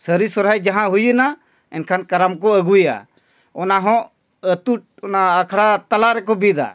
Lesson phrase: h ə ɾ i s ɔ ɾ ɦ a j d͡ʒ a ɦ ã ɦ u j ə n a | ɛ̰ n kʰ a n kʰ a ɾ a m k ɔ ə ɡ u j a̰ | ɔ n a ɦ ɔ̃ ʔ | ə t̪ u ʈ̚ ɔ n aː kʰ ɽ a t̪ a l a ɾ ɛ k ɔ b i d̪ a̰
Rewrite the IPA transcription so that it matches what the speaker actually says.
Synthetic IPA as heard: s ə ɾ i s ɔ ɾ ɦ a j d͡ʒ a ɦ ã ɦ u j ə n a | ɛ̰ n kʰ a n k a ɾ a m k ɔ ə ɡ u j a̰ | ɔ n a ɦ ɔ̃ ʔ | ə t̪ u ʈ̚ ɔ n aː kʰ ɽ a t̪ a l a ɾ ɛ k ɔ b i d̪ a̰